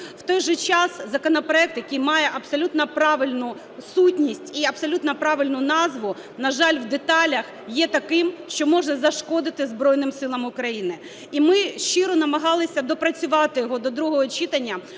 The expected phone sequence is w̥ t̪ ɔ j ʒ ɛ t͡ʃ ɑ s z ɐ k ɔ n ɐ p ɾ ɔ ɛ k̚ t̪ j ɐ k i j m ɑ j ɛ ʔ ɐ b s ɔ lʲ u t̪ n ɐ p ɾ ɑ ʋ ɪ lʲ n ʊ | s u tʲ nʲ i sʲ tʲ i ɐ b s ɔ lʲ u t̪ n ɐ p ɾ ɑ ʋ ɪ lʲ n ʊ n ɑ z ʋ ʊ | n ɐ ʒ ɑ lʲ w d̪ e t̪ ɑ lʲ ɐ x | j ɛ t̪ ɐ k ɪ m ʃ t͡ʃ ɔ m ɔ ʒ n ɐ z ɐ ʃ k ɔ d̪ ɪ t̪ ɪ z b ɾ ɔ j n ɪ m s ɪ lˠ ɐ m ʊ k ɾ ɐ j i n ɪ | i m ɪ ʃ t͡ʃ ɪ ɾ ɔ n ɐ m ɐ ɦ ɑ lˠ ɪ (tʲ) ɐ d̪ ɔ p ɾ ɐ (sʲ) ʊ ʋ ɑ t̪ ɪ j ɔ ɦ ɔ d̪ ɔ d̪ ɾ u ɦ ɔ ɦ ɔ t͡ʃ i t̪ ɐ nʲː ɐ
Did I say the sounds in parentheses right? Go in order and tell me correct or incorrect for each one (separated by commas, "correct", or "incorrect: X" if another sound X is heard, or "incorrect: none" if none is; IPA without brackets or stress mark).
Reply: incorrect: sʲ, incorrect: t͡sʲ